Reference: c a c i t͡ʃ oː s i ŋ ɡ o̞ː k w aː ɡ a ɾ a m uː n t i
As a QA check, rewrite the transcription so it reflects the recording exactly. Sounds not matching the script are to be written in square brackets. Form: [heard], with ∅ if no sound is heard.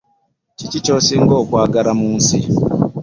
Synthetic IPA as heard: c [i] c i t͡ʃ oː s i ŋ ɡ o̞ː k w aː ɡ a ɾ a m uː n [s] i